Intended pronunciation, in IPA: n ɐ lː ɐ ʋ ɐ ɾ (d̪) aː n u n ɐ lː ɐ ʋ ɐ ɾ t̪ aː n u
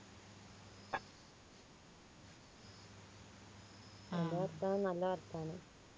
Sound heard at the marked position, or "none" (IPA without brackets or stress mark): t̪